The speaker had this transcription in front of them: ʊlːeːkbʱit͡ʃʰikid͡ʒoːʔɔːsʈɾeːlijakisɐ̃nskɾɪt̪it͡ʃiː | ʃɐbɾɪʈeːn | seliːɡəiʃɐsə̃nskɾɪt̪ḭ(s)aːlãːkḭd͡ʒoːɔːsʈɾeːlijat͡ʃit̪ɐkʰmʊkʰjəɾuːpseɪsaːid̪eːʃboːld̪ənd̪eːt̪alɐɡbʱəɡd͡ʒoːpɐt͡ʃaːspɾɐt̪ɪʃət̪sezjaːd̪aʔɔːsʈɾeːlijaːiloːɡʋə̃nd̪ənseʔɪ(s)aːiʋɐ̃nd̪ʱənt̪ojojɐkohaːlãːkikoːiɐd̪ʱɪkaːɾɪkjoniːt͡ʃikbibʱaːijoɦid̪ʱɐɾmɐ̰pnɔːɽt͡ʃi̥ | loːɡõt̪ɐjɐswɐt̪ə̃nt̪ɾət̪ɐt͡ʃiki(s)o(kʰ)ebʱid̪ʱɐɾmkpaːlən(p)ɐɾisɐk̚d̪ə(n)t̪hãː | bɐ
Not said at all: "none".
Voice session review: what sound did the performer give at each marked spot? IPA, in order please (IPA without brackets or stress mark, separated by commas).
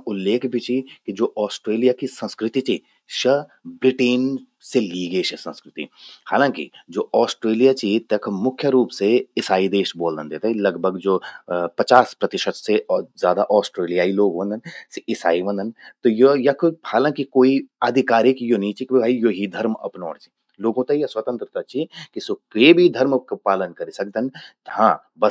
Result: h, s, s, k, k, n